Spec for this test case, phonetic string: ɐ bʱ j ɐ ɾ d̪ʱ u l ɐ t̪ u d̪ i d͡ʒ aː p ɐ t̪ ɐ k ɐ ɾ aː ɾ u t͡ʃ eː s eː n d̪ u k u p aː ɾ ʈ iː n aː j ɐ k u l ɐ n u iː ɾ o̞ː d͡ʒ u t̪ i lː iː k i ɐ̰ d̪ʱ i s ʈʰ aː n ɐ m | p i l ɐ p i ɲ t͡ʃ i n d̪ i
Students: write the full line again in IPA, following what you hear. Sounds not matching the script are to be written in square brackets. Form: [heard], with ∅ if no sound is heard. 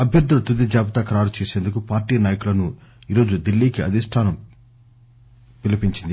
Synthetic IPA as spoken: ɐ bʱ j ɐ ɾ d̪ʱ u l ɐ t̪ u d̪ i d͡ʒ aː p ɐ t̪ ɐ k ɐ ɾ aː ɾ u t͡ʃ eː s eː n d̪ u k u p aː ɾ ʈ iː n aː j ɐ k u l ɐ n u iː ɾ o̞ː d͡ʒ u [d̪] i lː iː k i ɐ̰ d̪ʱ i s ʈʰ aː n ɐ m | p i l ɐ p i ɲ t͡ʃ i n d̪ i